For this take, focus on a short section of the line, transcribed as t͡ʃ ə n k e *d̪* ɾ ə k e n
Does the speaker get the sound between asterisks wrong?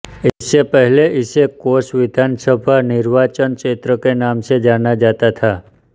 yes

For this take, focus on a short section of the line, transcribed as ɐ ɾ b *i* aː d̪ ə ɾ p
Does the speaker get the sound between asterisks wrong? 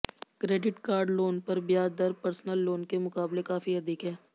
yes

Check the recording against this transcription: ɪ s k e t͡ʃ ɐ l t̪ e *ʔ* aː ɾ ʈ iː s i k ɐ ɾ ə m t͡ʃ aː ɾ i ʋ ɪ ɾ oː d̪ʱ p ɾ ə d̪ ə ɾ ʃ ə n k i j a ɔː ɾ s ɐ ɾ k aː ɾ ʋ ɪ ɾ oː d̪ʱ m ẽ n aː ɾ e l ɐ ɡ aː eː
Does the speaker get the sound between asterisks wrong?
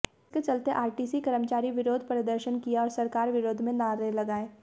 no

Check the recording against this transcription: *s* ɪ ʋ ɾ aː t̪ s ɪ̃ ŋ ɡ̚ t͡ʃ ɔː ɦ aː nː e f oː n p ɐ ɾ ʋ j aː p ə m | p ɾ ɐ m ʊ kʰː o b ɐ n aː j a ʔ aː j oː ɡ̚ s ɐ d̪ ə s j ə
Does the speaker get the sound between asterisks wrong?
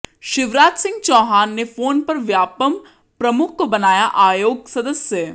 yes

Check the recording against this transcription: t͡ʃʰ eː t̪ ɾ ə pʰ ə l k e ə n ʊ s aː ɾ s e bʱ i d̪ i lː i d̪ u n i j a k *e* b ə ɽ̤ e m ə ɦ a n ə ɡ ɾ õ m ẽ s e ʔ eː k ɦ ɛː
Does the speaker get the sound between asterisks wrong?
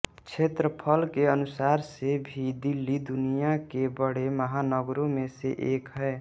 no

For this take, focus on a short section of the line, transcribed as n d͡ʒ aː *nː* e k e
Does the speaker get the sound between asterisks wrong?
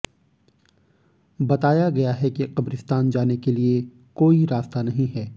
yes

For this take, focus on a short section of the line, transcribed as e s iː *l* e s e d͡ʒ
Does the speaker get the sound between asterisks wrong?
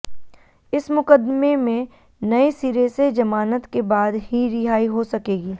yes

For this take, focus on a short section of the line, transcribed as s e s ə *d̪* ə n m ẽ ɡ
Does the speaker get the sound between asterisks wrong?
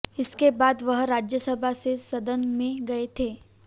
no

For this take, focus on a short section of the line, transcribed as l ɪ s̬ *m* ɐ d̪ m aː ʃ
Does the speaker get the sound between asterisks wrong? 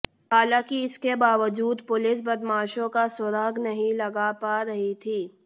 yes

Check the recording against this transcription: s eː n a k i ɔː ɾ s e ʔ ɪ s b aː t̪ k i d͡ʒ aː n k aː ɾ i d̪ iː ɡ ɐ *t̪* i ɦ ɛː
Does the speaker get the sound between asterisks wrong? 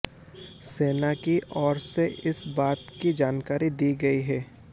yes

